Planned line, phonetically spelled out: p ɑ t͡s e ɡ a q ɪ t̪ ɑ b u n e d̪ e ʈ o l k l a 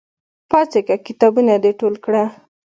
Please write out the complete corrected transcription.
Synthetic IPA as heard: p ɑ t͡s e k a k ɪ t̪ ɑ b u n a d̪ e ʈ o l k ɽ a